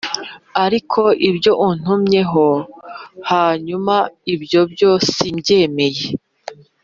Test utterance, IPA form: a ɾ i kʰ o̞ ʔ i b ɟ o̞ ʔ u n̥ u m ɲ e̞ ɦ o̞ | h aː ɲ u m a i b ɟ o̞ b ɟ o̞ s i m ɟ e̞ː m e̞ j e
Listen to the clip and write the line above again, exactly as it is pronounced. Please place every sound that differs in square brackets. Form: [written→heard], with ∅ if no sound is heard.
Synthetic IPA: a ɾ i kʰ o̞ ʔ i b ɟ o̞ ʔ u n̥ u m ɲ e̞ ɦ o̞ | h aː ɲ u m a i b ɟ o̞ b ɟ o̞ s i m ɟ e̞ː m e̞ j e